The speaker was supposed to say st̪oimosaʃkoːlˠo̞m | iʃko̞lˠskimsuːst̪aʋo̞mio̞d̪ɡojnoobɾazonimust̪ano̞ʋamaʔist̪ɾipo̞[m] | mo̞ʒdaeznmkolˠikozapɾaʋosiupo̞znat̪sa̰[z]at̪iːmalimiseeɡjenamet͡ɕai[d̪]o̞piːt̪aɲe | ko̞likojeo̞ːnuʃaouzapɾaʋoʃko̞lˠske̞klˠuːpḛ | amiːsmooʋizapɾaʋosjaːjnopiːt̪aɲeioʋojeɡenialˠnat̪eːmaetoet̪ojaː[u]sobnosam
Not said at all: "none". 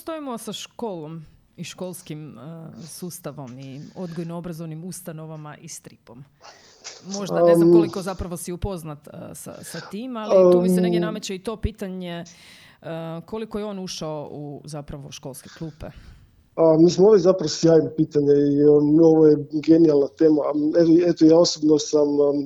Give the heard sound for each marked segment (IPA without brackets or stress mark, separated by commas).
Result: m, s, t̪, o